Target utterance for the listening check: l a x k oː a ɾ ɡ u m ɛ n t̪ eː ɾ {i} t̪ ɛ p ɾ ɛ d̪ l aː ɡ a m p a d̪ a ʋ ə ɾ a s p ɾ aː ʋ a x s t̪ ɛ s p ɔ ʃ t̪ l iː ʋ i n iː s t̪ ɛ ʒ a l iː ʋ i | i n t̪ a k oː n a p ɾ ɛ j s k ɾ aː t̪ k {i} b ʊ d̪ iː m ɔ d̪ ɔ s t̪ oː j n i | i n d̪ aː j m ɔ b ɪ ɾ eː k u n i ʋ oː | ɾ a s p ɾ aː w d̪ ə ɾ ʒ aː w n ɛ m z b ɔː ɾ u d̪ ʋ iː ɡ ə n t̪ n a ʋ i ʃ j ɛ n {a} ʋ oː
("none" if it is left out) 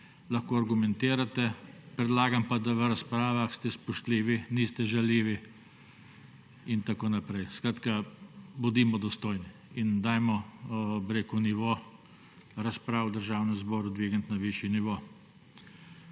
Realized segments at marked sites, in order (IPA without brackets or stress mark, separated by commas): a, a, i